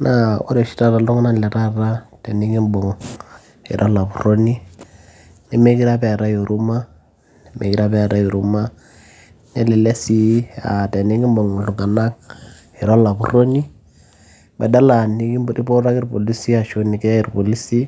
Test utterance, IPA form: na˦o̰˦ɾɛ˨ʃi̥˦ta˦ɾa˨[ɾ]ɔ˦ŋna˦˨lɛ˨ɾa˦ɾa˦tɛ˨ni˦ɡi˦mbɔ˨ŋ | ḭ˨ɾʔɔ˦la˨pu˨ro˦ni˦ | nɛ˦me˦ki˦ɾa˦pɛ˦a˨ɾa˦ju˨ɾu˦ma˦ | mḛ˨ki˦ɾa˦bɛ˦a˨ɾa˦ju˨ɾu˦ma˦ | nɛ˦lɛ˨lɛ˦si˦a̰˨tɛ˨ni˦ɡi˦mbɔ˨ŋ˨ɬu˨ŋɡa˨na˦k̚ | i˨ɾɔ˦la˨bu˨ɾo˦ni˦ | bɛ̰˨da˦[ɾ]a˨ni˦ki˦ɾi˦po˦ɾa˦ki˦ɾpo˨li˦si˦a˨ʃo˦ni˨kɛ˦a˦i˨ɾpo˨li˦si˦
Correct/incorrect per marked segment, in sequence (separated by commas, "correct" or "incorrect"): incorrect, incorrect